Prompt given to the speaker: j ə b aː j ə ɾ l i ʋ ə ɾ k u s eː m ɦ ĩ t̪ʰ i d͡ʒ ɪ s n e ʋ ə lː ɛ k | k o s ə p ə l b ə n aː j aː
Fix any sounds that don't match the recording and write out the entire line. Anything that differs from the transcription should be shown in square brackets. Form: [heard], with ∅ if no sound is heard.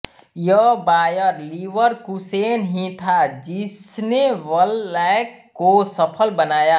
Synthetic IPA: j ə b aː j ə ɾ l i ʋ ə ɾ k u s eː [n] ɦ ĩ t̪ʰ [a] d͡ʒ ɪ s n e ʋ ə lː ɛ k | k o s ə [pʰ] ə l b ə n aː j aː